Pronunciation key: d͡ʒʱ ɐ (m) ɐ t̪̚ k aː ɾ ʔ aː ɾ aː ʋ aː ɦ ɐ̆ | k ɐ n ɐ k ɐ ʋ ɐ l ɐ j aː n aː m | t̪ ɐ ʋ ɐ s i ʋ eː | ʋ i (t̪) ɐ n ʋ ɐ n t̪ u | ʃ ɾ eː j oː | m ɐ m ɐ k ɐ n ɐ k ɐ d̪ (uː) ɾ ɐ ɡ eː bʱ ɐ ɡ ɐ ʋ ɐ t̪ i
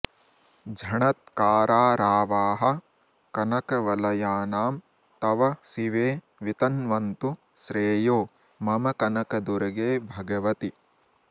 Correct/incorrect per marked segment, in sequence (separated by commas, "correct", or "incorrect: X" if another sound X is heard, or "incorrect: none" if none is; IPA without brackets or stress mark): incorrect: ɳ, correct, incorrect: u